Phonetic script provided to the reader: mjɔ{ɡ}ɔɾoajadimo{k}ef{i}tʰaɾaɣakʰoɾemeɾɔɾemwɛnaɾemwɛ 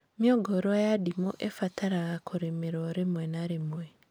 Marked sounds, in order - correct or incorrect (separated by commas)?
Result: correct, incorrect, incorrect